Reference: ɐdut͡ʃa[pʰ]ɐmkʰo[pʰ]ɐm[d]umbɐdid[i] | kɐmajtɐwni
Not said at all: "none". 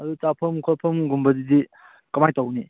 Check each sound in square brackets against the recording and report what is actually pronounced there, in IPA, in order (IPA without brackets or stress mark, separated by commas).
pʰ, pʰ, ɡ, i